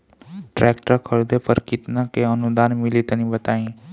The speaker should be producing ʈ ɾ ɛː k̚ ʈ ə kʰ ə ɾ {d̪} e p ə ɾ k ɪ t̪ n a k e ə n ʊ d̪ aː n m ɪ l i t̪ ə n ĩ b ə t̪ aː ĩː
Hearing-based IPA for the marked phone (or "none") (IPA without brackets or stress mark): d̪